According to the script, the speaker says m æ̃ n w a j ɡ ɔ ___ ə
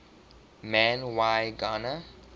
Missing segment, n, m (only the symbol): n